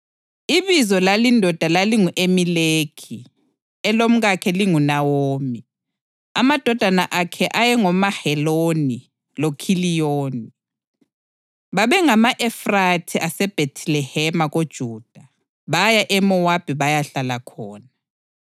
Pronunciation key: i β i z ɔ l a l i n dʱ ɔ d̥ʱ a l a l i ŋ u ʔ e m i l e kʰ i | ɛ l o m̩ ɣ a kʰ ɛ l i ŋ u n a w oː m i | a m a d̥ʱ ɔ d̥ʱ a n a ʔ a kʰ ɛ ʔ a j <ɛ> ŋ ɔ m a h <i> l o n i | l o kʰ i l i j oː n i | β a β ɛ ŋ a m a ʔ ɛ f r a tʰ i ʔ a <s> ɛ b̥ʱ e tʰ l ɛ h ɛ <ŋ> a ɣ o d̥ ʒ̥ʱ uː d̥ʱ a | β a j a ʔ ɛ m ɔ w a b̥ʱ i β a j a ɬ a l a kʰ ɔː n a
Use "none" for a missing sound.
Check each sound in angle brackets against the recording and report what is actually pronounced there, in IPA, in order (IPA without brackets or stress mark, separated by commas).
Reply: ɛ, ɛ, s, m